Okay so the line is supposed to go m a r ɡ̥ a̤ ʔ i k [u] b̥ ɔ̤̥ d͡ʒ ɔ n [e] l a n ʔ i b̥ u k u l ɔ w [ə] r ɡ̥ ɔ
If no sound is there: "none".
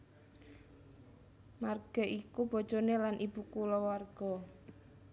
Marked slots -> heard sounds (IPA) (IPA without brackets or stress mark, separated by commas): u, e, a